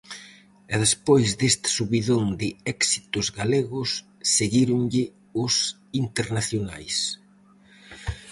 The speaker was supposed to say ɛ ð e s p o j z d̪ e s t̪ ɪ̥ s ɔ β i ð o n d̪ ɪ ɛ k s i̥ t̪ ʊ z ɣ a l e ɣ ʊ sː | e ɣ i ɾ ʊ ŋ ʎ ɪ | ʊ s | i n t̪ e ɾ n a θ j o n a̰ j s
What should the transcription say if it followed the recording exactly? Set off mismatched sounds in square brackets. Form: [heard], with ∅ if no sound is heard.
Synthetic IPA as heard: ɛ ð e s p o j z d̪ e s t̪ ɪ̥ s [u] β i ð o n d̪ ɪ ɛ k s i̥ t̪ ʊ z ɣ a l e ɣ ʊ sː | e ɣ i ɾ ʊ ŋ ʎ ɪ | ʊ s | i n t̪ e ɾ n a θ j o n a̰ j s